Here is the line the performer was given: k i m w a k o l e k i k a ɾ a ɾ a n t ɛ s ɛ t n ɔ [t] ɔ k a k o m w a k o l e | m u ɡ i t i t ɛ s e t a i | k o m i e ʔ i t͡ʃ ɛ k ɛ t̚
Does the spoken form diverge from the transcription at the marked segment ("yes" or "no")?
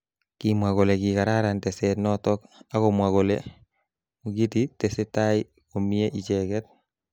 no